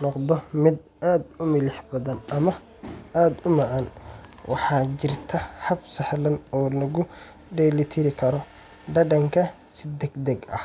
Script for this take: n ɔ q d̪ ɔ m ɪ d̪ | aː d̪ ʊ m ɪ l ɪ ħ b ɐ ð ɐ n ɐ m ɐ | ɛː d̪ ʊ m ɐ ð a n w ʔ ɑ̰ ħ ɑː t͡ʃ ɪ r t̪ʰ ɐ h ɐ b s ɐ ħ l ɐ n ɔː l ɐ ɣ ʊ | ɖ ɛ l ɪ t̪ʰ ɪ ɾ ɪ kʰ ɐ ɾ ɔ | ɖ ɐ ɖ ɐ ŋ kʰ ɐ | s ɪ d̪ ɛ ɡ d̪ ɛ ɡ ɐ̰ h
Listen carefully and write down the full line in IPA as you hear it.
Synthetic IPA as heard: n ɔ q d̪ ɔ m ɪ d̪ | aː d̪ ʊ m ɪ l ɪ ħ b ɐ ð ɐ n ɐ m ɐ | aː d̪ ʊ m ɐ ʕ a n w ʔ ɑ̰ ħ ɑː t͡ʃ ɪ r t̪ʰ ɐ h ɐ b s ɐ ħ l ɐ n ɔː l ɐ ɣ ʊ | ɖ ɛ l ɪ t̪ʰ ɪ ɾ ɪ kʰ ɐ ɾ ɔ | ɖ ɐ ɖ ɐ ŋ kʰ ɐ | s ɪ d̪ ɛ ɡ d̪ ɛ ɡ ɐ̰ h